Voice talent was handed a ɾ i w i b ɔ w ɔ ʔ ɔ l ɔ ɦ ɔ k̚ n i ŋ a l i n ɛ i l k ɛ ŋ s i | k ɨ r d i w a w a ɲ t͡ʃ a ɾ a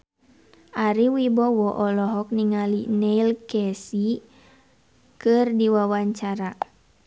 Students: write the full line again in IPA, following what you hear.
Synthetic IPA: a ɾ i w i b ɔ w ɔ ʔ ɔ l ɔ ɦ ɔ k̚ n i ŋ a l i n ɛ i l k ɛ s i | k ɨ r d i w a w a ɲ t͡ʃ a ɾ a